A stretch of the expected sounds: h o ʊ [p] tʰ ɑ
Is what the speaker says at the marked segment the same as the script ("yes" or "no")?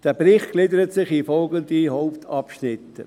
yes